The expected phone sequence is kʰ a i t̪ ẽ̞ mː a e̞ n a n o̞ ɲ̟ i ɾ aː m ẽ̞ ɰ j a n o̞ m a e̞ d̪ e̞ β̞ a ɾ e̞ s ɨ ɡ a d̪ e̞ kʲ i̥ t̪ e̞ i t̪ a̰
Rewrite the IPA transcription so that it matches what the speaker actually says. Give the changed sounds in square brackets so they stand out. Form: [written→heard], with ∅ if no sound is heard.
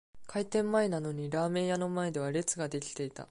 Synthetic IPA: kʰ a i t̪ ẽ̞ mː a e̞ n a n o̞ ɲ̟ i ɾ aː m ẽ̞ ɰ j a n o̞ m a e̞ d̪ e̞ β̞ a ɾ e̞ [s→t͡s] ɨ ɡ a d̪ e̞ kʲ i̥ t̪ e̞ i t̪ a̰